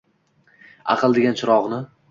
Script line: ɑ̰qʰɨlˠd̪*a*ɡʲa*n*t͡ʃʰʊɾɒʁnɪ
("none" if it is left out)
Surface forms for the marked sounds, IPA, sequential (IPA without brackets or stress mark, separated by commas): e, n